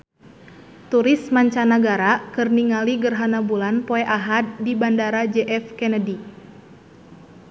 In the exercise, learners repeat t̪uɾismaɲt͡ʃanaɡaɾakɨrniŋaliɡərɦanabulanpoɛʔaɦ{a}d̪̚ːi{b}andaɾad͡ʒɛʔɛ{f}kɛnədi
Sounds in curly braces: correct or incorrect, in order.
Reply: correct, correct, correct

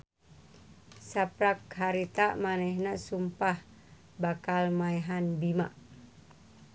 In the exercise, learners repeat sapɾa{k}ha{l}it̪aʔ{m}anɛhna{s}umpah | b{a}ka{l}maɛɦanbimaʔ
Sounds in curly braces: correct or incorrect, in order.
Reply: correct, incorrect: ɾ, correct, correct, correct, correct

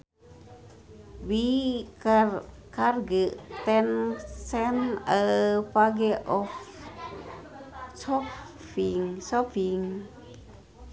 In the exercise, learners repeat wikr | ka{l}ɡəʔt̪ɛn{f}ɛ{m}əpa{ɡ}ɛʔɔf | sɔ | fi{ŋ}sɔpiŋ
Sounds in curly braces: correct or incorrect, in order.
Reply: incorrect: r, incorrect: s, incorrect: n, correct, correct

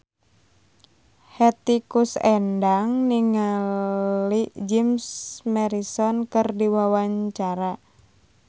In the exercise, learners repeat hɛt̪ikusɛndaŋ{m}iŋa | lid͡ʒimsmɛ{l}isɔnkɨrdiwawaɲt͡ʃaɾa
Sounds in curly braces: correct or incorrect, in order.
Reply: incorrect: n, incorrect: ɾ

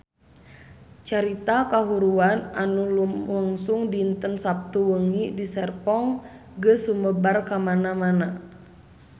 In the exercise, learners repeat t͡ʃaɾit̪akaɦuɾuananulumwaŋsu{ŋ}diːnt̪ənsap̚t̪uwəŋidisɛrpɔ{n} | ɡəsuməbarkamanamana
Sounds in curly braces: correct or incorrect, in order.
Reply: correct, incorrect: ŋ

